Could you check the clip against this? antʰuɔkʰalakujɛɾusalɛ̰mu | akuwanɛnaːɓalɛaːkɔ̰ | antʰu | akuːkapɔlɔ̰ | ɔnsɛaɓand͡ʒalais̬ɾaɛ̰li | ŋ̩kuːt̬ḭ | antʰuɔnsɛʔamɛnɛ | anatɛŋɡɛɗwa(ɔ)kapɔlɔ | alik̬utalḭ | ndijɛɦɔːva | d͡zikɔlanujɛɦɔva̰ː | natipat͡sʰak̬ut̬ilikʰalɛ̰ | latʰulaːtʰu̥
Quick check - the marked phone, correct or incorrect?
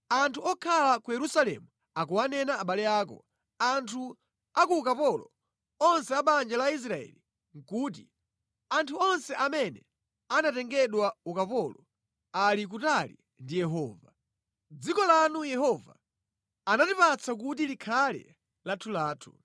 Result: incorrect: u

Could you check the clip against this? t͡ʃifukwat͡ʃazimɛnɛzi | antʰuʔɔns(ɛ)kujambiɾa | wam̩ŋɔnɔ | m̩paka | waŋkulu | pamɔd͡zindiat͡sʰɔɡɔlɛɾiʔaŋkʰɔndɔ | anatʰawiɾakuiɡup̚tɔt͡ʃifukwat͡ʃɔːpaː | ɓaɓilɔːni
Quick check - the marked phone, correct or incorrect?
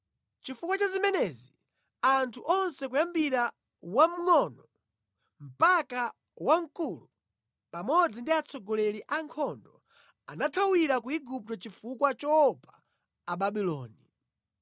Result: correct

